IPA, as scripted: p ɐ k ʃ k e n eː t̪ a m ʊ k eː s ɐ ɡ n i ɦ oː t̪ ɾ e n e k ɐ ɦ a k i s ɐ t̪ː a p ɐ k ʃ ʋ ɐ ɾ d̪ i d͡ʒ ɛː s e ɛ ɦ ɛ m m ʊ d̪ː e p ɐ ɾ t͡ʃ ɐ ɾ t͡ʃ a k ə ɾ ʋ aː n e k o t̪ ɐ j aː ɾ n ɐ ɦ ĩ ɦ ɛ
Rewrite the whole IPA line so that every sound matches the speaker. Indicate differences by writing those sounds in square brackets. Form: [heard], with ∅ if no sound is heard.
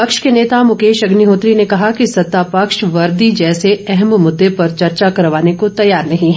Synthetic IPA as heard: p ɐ k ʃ k e n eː t̪ a m ʊ k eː [ʃ] ɐ ɡ n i ɦ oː t̪ ɾ [i] n e k ɐ ɦ a k i s ɐ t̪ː a p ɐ k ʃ ʋ ɐ ɾ d̪ i d͡ʒ ɛː s e ɛ ɦ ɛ m m ʊ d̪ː e p ɐ ɾ t͡ʃ ɐ ɾ t͡ʃ a k [ɐ] ɾ ʋ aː n e k o t̪ ɐ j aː ɾ n ɐ ɦ ĩ ɦ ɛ

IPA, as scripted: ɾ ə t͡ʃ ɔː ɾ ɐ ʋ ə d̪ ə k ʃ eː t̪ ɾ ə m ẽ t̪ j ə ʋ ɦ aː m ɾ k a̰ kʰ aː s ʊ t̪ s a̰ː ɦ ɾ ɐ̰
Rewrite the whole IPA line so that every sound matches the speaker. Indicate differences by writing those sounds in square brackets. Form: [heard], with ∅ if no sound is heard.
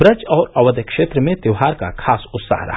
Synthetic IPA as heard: ɾ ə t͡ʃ ɔː ɾ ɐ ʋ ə d̪ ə k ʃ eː t̪ ɾ ə m ẽ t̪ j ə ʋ ɦ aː [∅] ɾ k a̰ kʰ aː s ʊ t̪ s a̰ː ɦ ɾ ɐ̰

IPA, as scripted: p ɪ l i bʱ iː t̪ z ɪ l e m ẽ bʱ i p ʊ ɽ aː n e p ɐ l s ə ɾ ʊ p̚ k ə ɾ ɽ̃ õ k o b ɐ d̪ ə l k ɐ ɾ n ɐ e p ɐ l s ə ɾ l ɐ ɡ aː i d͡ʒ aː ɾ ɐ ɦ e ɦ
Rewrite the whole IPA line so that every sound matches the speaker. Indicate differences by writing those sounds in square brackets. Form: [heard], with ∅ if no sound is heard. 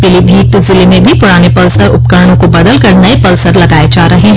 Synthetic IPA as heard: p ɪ l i bʱ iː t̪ z ɪ l e m ẽ bʱ i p ʊ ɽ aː n e p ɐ l s ə ɾ ʊ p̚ k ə ɾ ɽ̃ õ k o b ɐ d̪ ə l k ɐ ɾ n ɐ e p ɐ l s ə ɾ l ɐ ɡ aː [e] d͡ʒ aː ɾ ɐ ɦ e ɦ

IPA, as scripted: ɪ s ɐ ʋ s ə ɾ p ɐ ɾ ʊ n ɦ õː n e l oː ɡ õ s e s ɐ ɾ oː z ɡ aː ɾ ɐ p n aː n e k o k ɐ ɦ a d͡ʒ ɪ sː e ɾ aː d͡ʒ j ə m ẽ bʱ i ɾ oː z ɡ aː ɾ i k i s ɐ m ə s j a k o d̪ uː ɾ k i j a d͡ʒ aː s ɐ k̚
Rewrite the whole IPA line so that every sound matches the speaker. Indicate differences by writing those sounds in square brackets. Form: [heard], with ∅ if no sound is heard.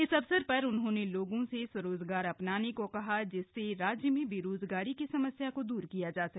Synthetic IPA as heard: ɪ s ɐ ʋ s ə ɾ p ɐ ɾ ʊ n ɦ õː n e l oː ɡ õ s e s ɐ ɾ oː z ɡ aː ɾ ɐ p n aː n e k o k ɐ ɦ a d͡ʒ ɪ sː e ɾ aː d͡ʒ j ə m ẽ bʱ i ɾ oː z ɡ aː ɾ i k i s ɐ m ə s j a k o d̪ uː ɾ k i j a d͡ʒ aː s ɐ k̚

